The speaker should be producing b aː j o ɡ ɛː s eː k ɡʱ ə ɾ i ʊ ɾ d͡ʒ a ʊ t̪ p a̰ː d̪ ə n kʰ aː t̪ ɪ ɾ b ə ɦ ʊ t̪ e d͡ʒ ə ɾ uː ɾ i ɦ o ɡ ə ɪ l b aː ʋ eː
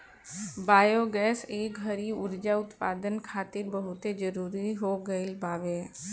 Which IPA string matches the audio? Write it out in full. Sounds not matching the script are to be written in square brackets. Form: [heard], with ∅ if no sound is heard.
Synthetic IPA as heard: b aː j o ɡ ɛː s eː k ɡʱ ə ɾ i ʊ ɾ d͡ʒ a ʊ t̪ p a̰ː d̪ ə n kʰ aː t̪ ɪ ɾ b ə ɦ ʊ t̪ e d͡ʒ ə ɾ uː ɾ i ɦ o ɡ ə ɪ l b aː ʋ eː

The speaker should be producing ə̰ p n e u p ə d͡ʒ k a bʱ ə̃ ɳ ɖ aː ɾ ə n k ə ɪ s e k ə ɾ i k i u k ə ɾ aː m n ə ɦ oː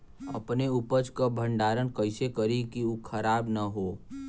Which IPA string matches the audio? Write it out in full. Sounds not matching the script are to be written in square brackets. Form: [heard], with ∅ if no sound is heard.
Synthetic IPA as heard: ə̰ p n e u p ə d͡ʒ k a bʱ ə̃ ɳ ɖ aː ɾ ə n k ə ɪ s e k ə ɾ i k i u [kʰ] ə ɾ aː [b] n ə ɦ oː

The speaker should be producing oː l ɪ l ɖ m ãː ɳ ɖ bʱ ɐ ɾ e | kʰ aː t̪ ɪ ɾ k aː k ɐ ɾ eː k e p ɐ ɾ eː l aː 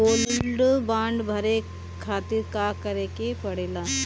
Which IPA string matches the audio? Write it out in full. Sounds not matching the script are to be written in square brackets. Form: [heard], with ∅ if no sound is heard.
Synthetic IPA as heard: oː l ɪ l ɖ [b] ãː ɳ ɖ bʱ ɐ ɾ e | kʰ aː t̪ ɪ ɾ k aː k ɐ ɾ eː k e p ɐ [ɽ] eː l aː

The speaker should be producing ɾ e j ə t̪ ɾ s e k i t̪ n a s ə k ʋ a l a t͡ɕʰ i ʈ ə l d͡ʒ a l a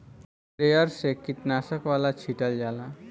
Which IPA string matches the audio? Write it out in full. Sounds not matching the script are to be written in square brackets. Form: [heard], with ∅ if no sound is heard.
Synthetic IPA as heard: ɾ e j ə [∅] ɾ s e k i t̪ n a s ə k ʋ a l a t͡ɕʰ i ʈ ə l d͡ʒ a l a

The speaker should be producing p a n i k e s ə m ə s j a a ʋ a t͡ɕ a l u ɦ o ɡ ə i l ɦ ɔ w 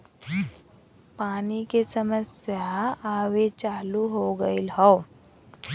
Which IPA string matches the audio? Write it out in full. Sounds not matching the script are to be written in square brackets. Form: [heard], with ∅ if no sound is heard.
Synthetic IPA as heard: p a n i k e s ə m ə s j a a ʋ [e] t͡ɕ a l u ɦ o ɡ ə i l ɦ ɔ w

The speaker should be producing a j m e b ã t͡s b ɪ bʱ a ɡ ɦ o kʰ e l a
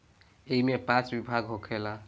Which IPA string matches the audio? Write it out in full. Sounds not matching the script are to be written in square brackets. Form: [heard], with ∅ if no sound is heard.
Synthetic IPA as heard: [e] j m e [p] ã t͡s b [i] bʱ a ɡ ɦ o kʰ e l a

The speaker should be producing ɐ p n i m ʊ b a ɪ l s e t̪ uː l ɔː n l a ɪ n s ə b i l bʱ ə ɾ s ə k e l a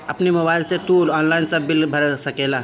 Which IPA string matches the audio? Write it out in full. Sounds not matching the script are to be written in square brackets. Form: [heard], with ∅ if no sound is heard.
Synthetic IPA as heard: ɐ p n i m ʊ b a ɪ l s e t̪ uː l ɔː n l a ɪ n s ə b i l bʱ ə ɾ s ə k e l a

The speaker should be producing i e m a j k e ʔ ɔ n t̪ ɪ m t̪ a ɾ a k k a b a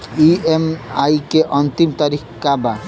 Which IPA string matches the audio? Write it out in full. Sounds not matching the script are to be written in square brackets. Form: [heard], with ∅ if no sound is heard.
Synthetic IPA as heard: i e m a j k e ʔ ɔ n t̪ [i] m t̪ a ɾ [i] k k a b a

